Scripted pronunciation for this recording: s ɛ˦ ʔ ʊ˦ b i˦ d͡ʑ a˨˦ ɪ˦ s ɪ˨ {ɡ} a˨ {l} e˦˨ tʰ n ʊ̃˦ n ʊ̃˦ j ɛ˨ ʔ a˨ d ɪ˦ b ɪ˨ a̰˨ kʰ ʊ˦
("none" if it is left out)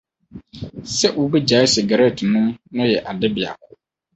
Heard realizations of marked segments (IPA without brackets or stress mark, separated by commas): ɡ, ɾ